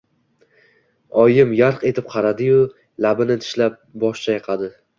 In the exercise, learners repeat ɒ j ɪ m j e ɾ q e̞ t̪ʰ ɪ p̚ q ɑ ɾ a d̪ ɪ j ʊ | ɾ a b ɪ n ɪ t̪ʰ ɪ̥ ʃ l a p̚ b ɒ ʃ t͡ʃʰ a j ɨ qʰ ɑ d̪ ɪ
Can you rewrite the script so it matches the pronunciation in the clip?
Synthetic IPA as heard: ɒ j ɪ m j a ɾ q e̞ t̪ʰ ɪ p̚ qʰ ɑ ɾ a d̪ ɪ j ʊ | l a b ɪ n ɪ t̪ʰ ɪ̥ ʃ l a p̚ b ɒ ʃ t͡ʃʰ a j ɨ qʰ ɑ d̪ ɪ